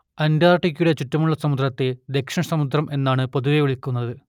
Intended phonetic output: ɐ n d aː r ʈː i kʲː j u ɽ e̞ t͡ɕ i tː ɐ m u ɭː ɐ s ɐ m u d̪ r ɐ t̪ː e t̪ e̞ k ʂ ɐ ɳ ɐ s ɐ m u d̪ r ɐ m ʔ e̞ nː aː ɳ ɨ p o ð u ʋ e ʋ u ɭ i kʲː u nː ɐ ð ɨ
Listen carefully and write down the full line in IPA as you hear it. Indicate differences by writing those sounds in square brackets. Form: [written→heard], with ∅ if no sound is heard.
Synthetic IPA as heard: ɐ n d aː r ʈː i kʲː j u ɽ e̞ t͡ɕ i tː ɐ m u ɭː ɐ s ɐ m u d̪ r ɐ t̪ː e [t̪→d̪] e̞ k ʂ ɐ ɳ ɐ s ɐ m u d̪ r ɐ m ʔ e̞ nː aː ɳ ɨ p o ð u ʋ e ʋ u ɭ i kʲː u nː ɐ ð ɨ